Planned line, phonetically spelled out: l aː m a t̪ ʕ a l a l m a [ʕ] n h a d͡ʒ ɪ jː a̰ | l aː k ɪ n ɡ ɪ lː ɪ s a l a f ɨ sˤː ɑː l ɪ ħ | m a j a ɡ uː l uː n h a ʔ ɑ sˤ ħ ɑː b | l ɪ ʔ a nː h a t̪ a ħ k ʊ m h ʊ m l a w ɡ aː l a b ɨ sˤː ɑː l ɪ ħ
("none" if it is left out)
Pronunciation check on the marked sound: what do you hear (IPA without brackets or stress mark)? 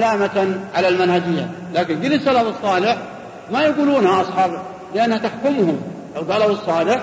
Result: none